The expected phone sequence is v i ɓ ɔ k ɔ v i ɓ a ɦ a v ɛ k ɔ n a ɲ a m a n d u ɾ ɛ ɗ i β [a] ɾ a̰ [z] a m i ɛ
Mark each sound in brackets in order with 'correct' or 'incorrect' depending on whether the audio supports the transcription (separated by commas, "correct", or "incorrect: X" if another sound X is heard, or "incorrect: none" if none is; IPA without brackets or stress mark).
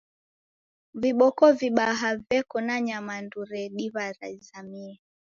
correct, correct